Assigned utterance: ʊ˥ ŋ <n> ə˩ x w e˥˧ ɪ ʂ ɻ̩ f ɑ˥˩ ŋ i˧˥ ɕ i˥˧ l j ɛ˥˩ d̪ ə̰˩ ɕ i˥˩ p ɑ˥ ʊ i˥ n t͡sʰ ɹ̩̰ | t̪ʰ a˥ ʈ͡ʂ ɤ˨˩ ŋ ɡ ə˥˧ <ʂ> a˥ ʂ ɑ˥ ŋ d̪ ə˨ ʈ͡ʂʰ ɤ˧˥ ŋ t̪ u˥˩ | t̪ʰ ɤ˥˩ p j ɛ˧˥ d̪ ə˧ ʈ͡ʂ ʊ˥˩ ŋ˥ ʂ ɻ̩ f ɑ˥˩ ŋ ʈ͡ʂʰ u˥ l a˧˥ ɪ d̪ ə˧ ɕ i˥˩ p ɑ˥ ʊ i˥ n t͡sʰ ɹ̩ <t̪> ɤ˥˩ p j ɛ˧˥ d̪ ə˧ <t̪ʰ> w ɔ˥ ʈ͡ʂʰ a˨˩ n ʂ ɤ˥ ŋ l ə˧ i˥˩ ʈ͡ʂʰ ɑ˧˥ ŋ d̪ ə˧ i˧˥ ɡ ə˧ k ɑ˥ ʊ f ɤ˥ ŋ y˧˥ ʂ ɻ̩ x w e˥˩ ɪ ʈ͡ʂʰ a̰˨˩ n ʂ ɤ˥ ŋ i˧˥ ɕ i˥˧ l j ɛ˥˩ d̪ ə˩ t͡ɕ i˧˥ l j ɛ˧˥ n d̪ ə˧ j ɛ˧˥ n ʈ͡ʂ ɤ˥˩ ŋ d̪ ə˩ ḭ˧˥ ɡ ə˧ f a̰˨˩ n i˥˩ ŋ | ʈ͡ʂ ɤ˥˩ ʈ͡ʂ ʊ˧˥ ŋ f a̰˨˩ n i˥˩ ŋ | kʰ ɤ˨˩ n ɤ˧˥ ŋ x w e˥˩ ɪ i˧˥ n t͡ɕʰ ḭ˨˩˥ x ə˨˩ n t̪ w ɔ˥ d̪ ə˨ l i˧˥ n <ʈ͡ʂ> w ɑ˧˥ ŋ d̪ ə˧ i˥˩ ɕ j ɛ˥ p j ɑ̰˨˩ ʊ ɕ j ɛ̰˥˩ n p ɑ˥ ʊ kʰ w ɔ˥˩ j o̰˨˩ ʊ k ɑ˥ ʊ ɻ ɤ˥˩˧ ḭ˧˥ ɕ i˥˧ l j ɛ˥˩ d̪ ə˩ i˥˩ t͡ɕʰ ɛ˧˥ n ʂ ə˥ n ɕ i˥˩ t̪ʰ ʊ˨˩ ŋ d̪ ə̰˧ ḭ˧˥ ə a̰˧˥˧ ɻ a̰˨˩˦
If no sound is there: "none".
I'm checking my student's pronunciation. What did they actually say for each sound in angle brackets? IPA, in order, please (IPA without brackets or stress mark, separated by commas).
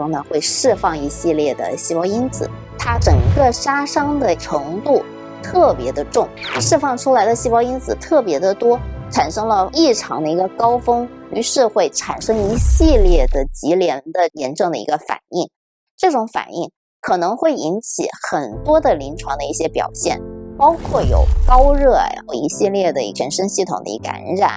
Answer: n, ʂ, t̪ʰ, t̪, ʈ͡ʂʰ